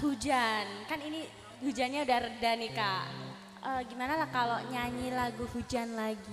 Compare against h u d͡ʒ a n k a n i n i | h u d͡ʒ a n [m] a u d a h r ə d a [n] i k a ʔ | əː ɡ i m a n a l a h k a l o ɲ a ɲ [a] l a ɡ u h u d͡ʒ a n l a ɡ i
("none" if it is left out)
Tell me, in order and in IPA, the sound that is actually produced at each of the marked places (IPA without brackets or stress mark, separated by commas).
ɲ, n, i